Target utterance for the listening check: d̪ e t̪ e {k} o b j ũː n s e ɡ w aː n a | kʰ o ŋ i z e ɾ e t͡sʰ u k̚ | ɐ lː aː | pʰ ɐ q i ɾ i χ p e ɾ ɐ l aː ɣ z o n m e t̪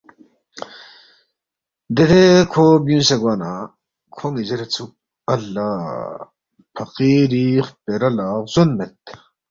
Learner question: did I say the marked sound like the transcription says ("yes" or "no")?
no